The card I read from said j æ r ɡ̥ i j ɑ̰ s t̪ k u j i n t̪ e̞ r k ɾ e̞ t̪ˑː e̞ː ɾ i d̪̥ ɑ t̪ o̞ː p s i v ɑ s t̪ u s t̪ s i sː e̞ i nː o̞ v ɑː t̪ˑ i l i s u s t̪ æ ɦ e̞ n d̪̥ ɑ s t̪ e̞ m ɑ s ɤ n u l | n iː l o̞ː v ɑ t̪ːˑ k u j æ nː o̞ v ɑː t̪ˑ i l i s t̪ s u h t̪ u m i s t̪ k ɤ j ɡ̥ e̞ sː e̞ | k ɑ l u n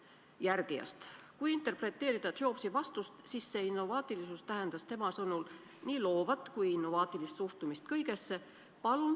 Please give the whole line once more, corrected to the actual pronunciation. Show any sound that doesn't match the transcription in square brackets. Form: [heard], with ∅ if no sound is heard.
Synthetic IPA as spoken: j æ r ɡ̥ i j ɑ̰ s t̪ k u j i n t̪ e̞ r [p] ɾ e̞ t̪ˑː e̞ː ɾ i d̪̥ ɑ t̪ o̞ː p s i v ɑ s t̪ u s t̪ s i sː e̞ i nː o̞ v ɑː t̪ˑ i l i s u s t̪ æ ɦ e̞ n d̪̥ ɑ s t̪ e̞ m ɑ s ɤ n u l | n iː l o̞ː v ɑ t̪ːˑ k u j [i] nː o̞ v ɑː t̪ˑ i l i s t̪ s u h t̪ u m i s t̪ k ɤ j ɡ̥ e̞ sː e̞ | [p] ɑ l u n